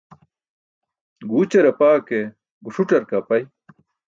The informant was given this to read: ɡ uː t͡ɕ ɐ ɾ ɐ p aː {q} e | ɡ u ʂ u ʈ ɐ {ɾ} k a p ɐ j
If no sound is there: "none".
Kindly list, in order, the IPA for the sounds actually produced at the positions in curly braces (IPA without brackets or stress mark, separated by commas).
k, ɾ